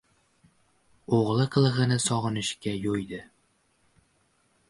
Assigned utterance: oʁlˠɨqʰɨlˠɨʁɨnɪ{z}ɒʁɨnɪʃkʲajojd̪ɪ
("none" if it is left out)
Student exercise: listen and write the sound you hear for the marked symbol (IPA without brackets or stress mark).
s